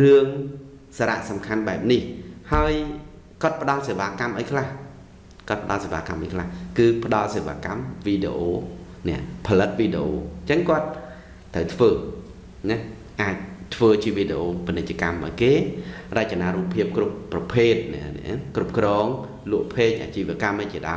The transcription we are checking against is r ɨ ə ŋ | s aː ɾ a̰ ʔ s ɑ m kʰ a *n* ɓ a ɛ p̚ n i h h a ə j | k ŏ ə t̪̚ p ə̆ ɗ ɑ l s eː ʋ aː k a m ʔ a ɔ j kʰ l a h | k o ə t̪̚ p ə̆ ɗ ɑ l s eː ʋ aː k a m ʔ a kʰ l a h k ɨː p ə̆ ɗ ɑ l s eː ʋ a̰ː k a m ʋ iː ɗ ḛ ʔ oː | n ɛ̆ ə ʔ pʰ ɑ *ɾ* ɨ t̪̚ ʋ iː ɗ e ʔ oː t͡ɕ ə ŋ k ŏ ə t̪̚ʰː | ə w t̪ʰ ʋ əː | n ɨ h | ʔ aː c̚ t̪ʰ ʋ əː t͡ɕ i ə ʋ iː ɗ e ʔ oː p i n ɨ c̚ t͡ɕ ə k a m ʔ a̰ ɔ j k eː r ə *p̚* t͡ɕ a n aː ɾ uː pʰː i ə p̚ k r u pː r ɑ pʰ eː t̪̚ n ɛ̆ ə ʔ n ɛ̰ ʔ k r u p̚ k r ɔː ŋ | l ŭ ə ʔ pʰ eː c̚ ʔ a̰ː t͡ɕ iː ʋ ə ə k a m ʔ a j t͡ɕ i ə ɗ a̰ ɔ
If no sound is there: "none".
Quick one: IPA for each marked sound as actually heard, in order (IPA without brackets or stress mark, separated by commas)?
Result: n, l, c̚